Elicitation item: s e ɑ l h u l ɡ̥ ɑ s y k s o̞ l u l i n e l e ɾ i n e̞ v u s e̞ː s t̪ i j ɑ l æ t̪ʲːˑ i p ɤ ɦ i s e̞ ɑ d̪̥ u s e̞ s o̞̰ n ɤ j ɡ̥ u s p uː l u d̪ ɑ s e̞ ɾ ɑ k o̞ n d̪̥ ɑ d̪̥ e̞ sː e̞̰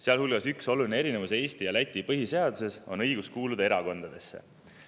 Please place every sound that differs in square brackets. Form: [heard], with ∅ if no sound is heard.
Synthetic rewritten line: s e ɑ l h u l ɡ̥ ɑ s y k s o̞ l u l i n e [∅] e ɾ i n e̞ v u s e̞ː s t̪ i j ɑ l æ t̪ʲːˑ i p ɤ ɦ i s e̞ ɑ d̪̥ u s e̞ s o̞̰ n ɤ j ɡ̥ u s [k] uː l u d̪ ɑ [∅] e̞ ɾ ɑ k o̞ n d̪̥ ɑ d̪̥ e̞ sː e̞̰